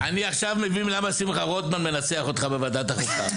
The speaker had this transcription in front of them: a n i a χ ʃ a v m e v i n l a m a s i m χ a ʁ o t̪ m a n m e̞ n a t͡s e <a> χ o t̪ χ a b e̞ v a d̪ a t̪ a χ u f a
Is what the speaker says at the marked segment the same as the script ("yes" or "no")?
yes